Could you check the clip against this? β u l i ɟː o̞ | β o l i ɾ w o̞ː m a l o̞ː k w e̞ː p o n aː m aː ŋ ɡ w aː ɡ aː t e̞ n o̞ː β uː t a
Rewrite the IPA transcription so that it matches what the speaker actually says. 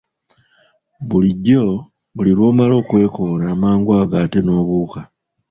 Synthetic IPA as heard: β u l i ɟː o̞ | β u l i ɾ w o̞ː m a l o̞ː k w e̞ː k o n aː m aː ŋ ɡ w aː ɡ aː t e̞ n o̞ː β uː k a